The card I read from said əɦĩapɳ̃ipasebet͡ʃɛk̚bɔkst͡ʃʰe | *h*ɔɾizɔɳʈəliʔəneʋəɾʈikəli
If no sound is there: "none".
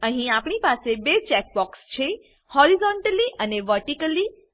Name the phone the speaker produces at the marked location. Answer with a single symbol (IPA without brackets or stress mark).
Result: h